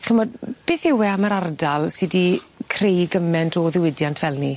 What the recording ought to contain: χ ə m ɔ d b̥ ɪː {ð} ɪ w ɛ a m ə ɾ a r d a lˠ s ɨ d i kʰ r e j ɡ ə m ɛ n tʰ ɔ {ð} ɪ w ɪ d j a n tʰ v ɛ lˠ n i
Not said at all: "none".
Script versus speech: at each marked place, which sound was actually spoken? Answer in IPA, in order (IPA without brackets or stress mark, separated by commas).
θ, ð